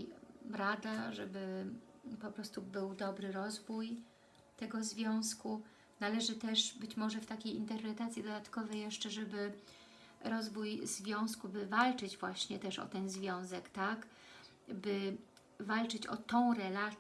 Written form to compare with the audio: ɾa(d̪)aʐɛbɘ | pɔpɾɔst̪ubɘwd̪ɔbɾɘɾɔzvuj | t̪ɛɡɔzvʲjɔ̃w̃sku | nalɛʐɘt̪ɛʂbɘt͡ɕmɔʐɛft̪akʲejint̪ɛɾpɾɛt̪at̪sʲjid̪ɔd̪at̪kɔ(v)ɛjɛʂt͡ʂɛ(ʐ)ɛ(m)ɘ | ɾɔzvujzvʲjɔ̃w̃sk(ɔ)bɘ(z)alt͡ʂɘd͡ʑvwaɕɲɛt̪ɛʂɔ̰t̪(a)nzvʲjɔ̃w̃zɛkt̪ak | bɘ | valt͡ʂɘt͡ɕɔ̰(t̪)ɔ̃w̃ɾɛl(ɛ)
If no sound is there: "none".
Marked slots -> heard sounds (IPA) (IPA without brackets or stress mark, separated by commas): d̪, v, ʐ, b, u, v, ɛ, t̪, a